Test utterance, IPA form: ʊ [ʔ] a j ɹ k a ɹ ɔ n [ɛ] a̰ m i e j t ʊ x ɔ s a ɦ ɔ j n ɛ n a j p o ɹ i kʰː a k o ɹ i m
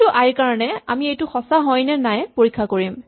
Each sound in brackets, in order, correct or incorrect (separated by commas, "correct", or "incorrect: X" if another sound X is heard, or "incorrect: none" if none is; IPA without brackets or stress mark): correct, correct